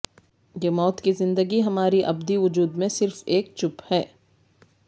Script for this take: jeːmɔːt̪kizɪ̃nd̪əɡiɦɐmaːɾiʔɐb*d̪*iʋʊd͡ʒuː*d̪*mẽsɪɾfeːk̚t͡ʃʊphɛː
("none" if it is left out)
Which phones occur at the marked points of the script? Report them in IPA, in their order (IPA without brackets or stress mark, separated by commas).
d̪, d̪